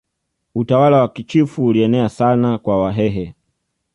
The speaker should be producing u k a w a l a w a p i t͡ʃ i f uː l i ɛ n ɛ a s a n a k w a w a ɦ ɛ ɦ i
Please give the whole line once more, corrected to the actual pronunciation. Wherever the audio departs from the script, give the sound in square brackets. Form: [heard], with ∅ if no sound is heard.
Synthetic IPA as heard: u [t] a w a l a w a [k] i t͡ʃ i f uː l i ɛ n ɛ a s a n a k w a w a ɦ ɛ ɦ [ɛ]